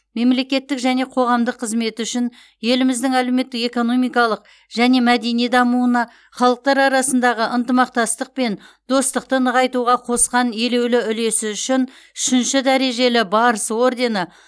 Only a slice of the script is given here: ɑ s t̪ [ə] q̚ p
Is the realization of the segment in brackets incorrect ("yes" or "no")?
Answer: no